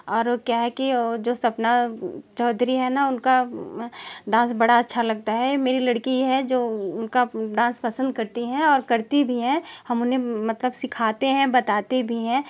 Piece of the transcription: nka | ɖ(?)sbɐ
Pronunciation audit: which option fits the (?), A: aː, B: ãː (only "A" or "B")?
B